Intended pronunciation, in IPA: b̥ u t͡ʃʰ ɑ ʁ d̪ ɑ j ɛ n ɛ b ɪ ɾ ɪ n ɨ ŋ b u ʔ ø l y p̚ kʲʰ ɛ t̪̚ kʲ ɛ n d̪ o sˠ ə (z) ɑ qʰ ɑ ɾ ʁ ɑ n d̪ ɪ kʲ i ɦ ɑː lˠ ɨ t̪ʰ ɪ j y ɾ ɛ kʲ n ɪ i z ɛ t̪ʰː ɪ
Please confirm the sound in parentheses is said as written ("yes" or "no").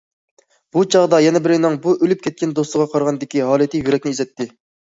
no